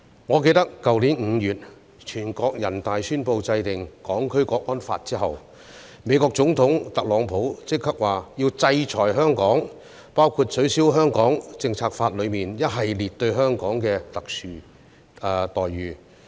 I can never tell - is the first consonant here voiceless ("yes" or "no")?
no